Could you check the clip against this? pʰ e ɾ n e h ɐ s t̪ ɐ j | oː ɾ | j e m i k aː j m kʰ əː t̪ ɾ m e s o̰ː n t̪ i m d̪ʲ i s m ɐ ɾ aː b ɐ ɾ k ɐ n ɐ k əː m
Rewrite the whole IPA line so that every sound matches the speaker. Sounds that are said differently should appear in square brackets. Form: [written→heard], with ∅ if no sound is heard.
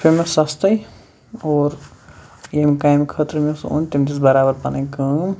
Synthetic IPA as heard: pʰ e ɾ [n→m] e [h→s] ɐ s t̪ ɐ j | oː ɾ | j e m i k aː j m kʰ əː t̪ ɾ m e s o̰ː n t̪ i m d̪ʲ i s [m→b] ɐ ɾ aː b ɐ ɾ [k→p] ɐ n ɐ k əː m